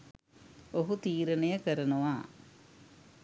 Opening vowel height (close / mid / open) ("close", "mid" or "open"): mid